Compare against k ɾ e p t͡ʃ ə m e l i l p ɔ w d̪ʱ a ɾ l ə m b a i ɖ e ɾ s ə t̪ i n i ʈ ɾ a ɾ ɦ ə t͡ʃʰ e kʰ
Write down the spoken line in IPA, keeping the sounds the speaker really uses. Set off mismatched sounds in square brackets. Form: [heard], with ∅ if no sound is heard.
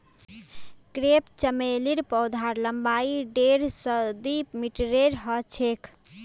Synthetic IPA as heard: k ɾ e p t͡ʃ ə m e l i [ɾ] p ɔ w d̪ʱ a ɾ l ə m b a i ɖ e ɾ s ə [d̪] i [m] i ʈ ɾ [e] ɾ ɦ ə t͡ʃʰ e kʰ